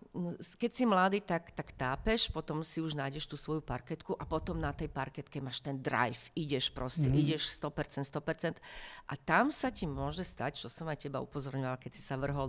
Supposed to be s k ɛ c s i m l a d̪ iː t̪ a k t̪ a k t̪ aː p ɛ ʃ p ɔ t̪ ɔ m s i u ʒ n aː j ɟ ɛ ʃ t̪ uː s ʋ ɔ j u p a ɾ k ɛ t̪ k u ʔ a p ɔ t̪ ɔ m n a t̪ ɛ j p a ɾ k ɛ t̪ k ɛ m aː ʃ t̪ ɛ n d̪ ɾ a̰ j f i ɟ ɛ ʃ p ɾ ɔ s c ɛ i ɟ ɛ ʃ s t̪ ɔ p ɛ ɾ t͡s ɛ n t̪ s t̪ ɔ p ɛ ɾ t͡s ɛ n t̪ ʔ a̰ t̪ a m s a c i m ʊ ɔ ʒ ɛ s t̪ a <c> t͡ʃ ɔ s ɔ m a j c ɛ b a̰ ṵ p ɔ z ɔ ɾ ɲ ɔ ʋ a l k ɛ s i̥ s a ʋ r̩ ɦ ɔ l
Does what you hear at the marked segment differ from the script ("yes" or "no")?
no